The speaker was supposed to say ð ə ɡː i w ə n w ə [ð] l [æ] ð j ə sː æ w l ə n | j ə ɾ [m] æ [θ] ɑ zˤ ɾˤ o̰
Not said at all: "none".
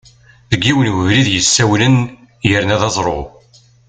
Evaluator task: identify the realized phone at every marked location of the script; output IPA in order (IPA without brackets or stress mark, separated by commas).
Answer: v, i, n, ð